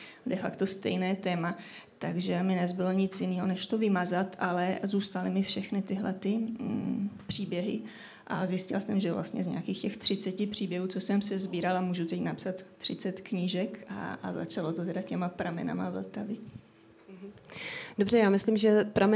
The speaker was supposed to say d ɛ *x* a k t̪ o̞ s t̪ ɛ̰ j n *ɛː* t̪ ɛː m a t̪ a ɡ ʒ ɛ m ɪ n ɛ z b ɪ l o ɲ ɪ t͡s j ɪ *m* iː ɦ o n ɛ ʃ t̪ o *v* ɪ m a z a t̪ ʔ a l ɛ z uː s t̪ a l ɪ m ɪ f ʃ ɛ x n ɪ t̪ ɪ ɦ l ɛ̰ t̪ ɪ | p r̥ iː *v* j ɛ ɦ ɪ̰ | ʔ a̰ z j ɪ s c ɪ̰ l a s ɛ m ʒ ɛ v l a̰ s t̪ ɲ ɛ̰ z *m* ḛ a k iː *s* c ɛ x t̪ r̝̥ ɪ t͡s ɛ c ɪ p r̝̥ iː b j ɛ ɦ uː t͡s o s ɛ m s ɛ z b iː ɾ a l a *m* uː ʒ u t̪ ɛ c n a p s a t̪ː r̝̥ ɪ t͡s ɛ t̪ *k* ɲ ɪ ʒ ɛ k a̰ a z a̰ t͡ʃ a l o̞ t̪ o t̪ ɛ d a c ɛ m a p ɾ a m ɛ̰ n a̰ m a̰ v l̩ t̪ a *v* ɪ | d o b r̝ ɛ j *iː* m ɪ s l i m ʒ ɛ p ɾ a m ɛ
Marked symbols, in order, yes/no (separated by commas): no, yes, no, yes, no, no, no, yes, yes, yes, no